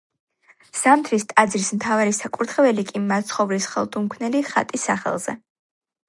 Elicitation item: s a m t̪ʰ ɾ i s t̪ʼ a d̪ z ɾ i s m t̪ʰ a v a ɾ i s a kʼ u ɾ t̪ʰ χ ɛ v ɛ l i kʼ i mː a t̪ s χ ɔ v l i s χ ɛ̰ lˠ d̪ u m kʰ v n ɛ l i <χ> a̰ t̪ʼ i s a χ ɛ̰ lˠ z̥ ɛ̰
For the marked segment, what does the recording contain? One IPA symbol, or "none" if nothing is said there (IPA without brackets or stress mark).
χ